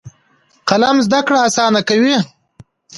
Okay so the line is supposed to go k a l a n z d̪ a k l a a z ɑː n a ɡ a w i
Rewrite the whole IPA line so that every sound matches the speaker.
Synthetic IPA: q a l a m z d̪ a k ɽ a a s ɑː n a k a w i